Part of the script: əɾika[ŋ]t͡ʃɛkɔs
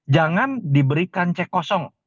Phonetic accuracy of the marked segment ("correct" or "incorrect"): incorrect